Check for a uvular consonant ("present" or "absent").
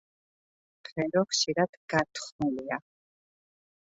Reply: present